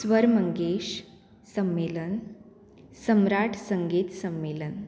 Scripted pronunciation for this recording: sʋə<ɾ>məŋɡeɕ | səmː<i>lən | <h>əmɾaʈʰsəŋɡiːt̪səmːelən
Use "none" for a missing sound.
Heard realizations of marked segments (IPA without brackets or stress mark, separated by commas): ɾ, e, s